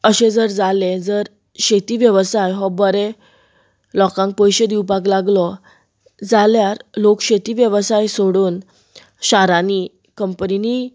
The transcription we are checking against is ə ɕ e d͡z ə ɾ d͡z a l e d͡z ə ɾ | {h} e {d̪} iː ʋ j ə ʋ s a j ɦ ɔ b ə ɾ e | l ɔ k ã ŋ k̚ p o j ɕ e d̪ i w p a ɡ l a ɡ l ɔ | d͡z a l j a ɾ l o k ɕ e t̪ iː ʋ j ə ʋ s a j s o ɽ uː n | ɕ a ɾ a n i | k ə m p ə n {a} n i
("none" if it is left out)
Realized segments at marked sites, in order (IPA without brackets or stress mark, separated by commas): ɕ, t̪, i